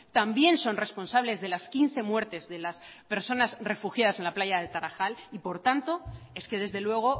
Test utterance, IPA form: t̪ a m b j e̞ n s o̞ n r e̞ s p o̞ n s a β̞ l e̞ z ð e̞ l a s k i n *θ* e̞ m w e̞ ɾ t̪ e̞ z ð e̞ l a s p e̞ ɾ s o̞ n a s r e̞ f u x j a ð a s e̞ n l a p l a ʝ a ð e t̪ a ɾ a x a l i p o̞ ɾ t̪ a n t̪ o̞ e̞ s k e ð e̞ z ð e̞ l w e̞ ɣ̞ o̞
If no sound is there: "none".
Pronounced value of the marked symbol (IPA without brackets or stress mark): θ